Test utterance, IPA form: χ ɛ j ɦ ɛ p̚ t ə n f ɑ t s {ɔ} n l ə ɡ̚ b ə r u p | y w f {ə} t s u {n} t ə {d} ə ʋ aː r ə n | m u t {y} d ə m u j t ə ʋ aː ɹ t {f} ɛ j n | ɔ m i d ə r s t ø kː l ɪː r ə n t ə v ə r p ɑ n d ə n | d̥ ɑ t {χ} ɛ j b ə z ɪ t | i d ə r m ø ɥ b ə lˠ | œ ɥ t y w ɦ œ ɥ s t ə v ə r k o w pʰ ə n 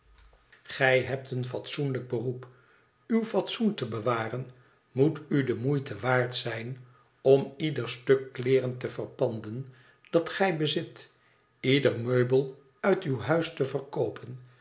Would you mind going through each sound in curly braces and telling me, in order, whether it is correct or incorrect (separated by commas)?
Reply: incorrect, incorrect, correct, incorrect, correct, incorrect, correct